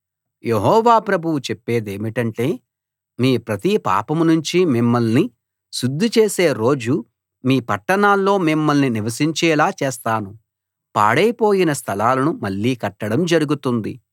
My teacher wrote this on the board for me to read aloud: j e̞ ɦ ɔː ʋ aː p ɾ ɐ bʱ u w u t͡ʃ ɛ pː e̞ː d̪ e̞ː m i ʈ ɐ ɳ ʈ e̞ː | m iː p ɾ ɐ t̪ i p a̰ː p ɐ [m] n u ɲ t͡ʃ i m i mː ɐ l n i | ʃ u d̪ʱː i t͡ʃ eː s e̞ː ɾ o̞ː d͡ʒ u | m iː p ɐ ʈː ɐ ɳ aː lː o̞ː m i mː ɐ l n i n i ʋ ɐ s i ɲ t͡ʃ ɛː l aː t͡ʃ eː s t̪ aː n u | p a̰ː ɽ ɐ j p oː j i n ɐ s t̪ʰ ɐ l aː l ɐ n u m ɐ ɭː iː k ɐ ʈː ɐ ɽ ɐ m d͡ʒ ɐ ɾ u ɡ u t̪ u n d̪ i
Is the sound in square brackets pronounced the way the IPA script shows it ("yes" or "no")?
yes